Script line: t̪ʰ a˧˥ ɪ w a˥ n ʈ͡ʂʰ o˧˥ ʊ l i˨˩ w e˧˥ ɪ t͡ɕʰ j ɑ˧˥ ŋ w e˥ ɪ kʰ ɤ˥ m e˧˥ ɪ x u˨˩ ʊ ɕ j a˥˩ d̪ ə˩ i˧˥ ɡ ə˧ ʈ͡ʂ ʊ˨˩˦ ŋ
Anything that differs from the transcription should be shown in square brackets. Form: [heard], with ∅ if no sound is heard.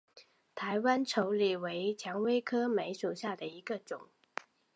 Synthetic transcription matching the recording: t̪ʰ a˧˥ ɪ w a˥ n ʈ͡ʂʰ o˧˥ ʊ l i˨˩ w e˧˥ ɪ t͡ɕʰ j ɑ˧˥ ŋ w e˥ ɪ kʰ ɤ˥ m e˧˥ ɪ [ʂ] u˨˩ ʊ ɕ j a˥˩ d̪ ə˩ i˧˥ ɡ ə˧ ʈ͡ʂ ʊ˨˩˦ ŋ